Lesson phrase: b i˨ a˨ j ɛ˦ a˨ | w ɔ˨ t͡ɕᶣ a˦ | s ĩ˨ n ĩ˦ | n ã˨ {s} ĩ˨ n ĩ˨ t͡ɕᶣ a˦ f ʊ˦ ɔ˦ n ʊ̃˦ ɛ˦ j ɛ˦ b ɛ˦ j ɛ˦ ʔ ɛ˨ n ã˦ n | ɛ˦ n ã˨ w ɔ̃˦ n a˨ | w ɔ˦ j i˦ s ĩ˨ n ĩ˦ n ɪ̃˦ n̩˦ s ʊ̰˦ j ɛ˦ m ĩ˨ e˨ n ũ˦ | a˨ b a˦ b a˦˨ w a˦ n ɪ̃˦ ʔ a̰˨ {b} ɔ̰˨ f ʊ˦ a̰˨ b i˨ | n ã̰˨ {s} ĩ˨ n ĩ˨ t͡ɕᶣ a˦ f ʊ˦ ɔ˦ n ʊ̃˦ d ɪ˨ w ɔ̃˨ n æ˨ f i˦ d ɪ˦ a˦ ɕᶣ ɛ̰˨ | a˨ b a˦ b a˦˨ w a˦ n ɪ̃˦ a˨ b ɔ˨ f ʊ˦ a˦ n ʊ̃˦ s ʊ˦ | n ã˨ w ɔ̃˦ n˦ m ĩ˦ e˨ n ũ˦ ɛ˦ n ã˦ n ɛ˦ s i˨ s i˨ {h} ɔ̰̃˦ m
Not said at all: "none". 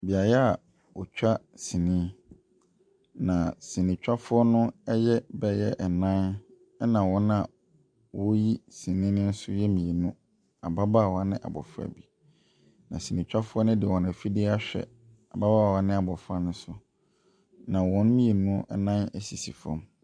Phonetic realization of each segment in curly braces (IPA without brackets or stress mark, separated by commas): s, b, s, f